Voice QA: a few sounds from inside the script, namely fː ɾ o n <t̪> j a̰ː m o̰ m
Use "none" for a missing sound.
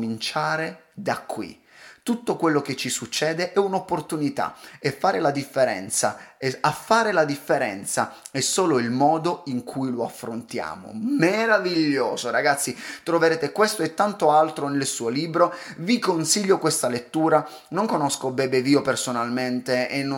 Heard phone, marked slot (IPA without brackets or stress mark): t̪